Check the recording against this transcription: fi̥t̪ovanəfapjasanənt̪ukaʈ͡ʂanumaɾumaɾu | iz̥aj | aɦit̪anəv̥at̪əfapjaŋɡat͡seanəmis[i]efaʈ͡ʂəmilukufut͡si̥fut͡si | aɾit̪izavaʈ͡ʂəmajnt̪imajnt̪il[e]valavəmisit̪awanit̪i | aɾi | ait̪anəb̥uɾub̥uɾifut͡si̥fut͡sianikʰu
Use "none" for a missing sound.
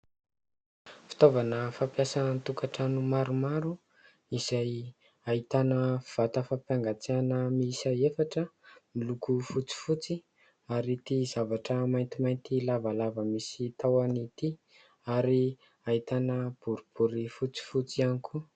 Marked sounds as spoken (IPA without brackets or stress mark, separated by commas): a, a